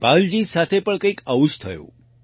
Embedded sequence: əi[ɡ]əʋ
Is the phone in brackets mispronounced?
yes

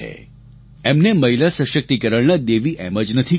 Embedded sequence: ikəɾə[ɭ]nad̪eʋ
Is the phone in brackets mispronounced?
no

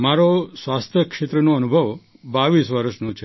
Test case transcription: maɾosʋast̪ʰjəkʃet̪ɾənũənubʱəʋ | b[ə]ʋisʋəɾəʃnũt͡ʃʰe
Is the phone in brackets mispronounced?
yes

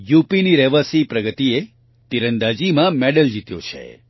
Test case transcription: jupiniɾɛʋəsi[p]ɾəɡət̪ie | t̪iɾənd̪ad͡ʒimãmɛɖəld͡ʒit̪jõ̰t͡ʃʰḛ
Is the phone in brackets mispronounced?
no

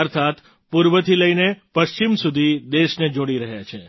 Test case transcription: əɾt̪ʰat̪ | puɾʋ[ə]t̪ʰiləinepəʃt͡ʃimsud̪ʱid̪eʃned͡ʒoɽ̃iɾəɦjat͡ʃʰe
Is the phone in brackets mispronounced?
no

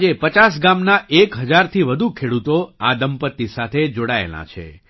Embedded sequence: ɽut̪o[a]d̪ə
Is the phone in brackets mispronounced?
no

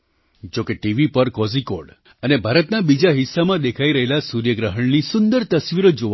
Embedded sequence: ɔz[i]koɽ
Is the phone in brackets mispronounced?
no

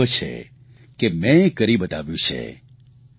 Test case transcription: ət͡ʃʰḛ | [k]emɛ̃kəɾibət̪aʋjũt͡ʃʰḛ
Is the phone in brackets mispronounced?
no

